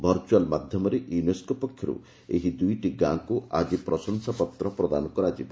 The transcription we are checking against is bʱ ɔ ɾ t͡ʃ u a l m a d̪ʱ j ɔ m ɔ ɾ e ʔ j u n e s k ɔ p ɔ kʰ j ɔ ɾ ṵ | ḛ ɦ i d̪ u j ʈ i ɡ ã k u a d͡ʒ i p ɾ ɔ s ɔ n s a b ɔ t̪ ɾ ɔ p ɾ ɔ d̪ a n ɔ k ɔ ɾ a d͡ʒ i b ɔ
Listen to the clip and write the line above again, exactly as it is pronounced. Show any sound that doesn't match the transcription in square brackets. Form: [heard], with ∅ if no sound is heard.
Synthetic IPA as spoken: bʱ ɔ ɾ t͡ʃ u a l m a d̪ʱ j ɔ m ɔ ɾ e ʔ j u n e s k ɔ p ɔ kʰ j ɔ ɾ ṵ | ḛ ɦ i d̪ u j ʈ i ɡ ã k u a d͡ʒ i p ɾ ɔ s ɔ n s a [p] ɔ t̪ ɾ ɔ p ɾ ɔ d̪ a n ɔ k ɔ ɾ a d͡ʒ i b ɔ

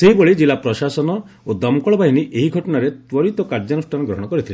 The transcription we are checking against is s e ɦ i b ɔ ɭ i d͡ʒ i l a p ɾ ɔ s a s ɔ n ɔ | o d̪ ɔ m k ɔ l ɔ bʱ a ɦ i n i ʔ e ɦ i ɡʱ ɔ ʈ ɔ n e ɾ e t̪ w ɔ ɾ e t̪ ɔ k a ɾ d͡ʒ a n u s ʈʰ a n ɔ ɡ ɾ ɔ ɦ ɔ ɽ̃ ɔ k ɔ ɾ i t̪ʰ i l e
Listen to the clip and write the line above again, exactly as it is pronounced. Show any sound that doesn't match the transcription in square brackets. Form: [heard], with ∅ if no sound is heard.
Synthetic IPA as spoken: s e ɦ i b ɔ ɭ i d͡ʒ i l a p ɾ ɔ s a s ɔ n ɔ | o d̪ ɔ m k ɔ [ɭ] ɔ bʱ a ɦ i n i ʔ e ɦ i ɡʱ ɔ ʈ ɔ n [a] ɾ e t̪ w ɔ ɾ [i] t̪ ɔ k a ɾ d͡ʒ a n u s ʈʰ a n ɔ ɡ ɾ ɔ ɦ ɔ ɽ̃ ɔ k ɔ ɾ i t̪ʰ i l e

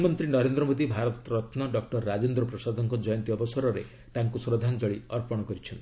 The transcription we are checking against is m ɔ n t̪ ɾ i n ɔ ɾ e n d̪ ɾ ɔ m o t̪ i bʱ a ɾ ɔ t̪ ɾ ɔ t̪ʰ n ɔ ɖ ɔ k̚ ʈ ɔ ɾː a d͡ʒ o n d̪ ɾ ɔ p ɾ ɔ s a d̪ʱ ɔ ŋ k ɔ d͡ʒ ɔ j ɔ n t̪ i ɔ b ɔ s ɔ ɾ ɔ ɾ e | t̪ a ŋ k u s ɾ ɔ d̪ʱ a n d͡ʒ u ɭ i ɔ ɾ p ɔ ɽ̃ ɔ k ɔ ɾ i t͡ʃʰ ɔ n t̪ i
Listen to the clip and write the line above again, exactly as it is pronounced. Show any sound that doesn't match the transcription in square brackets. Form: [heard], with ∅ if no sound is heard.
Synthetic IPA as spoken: m ɔ n t̪ ɾ i n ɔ ɾ e n d̪ ɾ ɔ m o [d̪] i bʱ a ɾ ɔ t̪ ɾ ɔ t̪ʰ n ɔ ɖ ɔ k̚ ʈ ɔ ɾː a d͡ʒ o n d̪ ɾ ɔ p ɾ ɔ s a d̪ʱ ɔ ŋ k ɔ d͡ʒ ɔ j ɔ n t̪ i ɔ b ɔ s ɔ ɾ ɔ ɾ e | t̪ a ŋ k u s ɾ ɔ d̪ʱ a n d͡ʒ [ɔ] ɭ i ɔ ɾ p ɔ ɽ̃ ɔ k ɔ ɾ i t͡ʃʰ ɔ n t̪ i

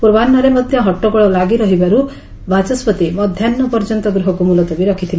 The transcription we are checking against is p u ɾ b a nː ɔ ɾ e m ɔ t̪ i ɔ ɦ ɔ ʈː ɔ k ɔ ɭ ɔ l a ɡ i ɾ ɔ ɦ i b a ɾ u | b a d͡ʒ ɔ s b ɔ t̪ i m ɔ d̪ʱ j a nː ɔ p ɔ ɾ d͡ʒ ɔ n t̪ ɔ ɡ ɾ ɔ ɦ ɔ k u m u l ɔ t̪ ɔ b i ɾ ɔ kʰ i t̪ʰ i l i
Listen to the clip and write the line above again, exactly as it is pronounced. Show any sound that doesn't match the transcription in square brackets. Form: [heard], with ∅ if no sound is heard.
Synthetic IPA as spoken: p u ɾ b a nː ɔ ɾ e m ɔ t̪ [j] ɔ ɦ ɔ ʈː ɔ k ɔ ɭ ɔ l a ɡ i ɾ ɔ ɦ i b a ɾ u | b a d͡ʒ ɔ s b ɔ t̪ i m ɔ d̪ʱ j a nː ɔ p ɔ ɾ d͡ʒ ɔ n t̪ ɔ ɡ ɾ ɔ ɦ ɔ k u m u l ɔ t̪ ɔ b i ɾ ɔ kʰ i t̪ʰ i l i

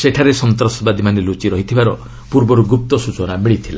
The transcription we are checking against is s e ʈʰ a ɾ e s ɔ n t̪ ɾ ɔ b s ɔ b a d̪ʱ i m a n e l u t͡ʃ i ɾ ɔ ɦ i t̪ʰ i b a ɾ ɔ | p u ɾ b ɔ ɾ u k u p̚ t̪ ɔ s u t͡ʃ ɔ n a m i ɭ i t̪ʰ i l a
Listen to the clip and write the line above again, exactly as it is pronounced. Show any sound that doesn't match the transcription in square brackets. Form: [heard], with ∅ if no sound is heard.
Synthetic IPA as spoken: s e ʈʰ a ɾ e s ɔ n t̪ ɾ ɔ [∅] s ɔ b a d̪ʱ i m a n e l u t͡ʃ i ɾ ɔ ɦ i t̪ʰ i b a ɾ ɔ | p u ɾ b ɔ ɾ u [ɡ] u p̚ t̪ ɔ s u t͡ʃ ɔ n a m i ɭ i t̪ʰ i l a

